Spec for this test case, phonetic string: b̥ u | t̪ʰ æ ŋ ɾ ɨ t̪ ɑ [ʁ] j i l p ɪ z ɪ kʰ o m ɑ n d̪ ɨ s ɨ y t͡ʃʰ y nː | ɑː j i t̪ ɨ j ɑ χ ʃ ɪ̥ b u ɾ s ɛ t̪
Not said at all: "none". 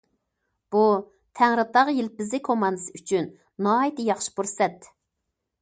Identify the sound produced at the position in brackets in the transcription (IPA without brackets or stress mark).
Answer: ʁ